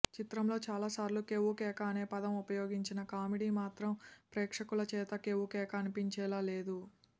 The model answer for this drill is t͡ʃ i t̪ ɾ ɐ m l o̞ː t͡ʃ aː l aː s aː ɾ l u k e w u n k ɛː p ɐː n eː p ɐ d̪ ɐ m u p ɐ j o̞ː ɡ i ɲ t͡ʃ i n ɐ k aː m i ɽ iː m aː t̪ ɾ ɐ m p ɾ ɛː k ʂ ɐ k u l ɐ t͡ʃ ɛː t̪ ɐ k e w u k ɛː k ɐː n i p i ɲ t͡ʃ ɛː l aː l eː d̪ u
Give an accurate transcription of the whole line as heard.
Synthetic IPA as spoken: t͡ʃ i t̪ ɾ ɐ m l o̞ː t͡ʃ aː l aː s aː ɾ l u k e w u k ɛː k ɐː n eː p ɐ d̪ ɐ m u p ɐ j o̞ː ɡ i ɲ t͡ʃ i n ɐ k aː m i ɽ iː m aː t̪ ɾ ɐ m p ɾ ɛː k ʂ ɐ k u l ɐ t͡ʃ ɛː t̪ ɐ k e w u k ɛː k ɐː n i p i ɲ t͡ʃ ɛː l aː l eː d̪ u